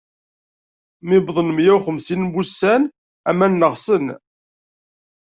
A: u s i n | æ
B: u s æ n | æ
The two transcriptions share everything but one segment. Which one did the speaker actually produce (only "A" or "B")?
B